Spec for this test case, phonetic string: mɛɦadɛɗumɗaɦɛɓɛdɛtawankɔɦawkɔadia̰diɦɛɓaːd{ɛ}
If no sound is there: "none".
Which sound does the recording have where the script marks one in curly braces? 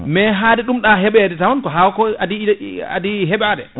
ɛ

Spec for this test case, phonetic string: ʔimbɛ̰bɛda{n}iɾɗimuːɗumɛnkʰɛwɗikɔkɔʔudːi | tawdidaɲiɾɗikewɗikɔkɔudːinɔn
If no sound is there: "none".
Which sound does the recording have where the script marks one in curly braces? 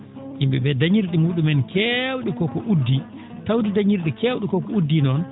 ɲ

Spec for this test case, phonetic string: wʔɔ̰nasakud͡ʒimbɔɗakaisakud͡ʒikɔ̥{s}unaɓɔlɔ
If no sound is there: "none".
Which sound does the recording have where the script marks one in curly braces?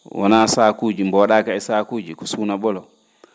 s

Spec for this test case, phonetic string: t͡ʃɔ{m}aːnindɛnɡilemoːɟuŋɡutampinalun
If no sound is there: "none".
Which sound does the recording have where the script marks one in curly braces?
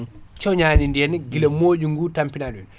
ɲ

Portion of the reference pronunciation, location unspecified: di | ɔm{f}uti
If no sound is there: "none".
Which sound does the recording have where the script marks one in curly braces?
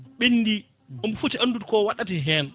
f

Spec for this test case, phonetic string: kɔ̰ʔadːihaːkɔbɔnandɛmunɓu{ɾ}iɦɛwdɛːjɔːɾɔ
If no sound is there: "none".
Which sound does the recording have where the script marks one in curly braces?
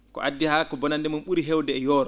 ɾ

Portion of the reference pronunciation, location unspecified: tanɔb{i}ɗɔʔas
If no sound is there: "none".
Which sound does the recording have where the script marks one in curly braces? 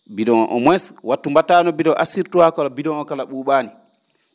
i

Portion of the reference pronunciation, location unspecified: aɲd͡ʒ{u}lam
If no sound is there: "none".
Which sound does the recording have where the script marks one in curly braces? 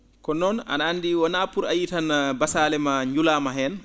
u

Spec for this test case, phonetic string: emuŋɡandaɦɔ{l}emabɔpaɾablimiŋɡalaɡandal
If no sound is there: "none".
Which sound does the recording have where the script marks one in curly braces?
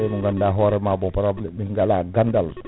ɾ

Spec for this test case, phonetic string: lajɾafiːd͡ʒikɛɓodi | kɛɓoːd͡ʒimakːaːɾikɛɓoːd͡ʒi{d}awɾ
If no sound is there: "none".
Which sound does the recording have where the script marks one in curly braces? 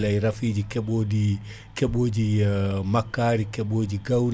ɡ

